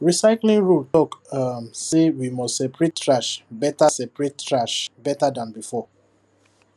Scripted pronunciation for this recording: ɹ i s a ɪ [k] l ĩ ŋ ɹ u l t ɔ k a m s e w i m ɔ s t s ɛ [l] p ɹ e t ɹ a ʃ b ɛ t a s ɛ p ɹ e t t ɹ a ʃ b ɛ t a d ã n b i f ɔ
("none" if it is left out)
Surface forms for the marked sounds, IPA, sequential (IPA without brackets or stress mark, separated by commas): k, none